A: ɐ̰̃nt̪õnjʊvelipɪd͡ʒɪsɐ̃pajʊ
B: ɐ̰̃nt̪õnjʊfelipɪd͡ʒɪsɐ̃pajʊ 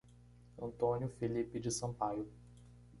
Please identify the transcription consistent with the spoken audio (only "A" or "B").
B